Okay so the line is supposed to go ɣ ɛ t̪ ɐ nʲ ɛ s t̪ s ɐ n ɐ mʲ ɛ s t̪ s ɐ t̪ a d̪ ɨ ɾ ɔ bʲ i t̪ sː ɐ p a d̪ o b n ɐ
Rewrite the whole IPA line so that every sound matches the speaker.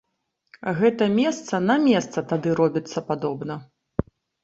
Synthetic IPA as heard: ɣ ɛ t̪ ɐ mʲ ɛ s t̪ s ɐ n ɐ mʲ ɛ s t̪ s ɐ t̪ a d̪ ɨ ɾ ɔ bʲ i t̪ sː ɐ p a d̪ ɔ b n ɐ